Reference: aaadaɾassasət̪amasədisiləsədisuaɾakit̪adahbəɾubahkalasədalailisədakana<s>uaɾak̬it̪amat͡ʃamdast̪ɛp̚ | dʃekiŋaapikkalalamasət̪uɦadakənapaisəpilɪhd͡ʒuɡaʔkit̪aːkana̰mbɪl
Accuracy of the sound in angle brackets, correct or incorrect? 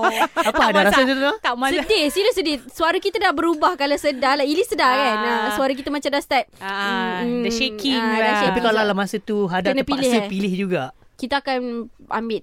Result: correct